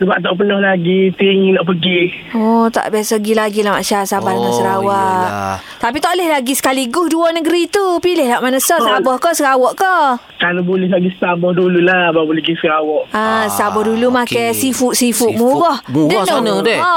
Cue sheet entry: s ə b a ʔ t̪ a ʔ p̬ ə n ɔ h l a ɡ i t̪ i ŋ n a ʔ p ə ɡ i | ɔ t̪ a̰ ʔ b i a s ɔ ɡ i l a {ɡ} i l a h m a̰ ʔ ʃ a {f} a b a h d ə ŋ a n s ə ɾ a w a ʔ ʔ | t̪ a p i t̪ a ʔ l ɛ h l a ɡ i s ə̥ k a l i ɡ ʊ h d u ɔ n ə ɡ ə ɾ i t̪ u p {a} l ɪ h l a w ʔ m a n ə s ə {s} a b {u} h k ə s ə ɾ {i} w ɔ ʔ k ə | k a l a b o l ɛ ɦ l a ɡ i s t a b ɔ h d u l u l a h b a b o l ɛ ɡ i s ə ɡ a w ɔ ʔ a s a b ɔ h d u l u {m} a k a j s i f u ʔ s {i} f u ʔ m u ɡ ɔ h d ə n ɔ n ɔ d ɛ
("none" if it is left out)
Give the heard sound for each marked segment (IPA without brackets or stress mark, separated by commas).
ɡ, s, i, s, ɔ, a, m, i